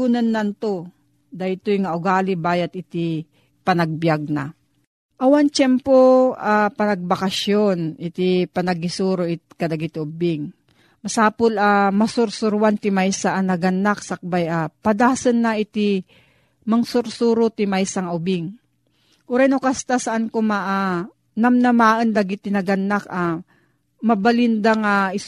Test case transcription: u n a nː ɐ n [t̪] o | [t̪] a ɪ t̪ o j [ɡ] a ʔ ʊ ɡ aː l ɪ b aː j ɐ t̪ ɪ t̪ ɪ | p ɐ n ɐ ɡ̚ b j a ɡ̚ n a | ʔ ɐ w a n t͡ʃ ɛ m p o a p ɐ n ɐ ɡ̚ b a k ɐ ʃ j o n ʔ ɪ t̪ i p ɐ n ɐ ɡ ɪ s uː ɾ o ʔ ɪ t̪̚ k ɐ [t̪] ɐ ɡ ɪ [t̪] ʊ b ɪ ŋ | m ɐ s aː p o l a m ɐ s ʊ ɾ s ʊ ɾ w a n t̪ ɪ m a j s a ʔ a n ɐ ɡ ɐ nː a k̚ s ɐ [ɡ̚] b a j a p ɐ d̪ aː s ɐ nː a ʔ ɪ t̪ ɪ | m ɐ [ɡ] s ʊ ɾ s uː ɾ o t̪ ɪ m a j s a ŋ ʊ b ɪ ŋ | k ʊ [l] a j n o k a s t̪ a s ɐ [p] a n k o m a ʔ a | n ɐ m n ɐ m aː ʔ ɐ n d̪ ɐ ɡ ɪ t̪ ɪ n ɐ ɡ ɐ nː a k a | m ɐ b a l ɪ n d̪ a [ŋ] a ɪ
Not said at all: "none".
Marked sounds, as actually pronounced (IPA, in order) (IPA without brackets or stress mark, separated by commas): t̪, d̪, ŋ, d̪, t̪, k̚, ŋ, ɾ, ʔ, ŋ